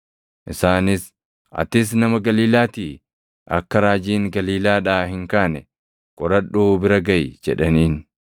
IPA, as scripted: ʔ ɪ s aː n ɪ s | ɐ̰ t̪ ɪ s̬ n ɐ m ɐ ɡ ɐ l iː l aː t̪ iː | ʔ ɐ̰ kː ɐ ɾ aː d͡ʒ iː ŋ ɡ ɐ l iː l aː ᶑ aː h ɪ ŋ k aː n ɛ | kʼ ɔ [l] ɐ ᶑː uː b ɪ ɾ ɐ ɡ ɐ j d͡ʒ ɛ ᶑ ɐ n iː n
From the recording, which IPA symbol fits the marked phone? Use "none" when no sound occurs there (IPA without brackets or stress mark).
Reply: ɾ